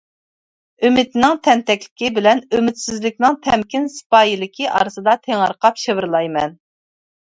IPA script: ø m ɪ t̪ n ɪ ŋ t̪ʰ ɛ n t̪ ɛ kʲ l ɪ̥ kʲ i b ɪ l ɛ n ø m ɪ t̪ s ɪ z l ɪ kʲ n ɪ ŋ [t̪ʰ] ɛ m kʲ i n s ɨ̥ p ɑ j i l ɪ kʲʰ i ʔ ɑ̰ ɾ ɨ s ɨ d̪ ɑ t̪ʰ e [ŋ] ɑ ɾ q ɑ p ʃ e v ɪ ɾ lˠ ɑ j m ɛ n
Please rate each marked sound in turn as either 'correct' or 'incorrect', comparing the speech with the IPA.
correct, correct

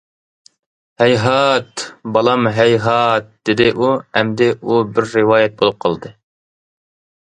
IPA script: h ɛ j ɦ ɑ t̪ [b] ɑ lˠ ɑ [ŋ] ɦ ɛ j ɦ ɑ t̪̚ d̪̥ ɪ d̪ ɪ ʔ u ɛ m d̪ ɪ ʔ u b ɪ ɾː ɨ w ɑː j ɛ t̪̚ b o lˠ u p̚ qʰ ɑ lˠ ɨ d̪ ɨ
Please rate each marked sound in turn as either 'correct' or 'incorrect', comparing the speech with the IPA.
correct, incorrect

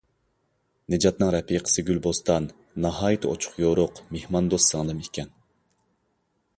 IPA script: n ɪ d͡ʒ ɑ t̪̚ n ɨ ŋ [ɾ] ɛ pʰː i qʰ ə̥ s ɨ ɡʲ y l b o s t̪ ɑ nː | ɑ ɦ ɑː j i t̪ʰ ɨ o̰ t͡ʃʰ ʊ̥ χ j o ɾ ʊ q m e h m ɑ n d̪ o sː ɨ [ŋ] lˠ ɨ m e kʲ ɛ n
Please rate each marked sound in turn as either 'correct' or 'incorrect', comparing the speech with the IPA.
correct, correct

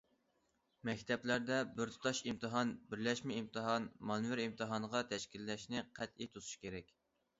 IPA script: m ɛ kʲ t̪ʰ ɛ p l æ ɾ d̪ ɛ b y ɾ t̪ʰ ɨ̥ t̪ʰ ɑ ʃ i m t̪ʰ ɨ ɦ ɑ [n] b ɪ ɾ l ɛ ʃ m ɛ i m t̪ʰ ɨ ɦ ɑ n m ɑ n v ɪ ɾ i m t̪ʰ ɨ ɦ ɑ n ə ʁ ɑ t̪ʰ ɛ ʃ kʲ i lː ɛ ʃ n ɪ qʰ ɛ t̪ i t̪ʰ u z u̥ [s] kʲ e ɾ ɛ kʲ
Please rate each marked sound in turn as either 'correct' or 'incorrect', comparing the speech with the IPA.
correct, incorrect

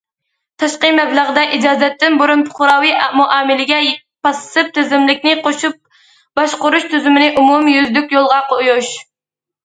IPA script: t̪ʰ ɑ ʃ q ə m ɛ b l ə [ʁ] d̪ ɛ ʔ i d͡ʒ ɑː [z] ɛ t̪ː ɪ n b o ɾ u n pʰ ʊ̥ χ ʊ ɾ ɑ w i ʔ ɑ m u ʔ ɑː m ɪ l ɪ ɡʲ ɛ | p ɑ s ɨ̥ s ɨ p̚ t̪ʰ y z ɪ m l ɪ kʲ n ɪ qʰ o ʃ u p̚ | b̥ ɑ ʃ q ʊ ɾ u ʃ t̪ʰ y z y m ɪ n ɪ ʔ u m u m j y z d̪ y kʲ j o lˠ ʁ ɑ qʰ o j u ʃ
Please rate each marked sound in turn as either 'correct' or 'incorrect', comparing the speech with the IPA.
correct, correct

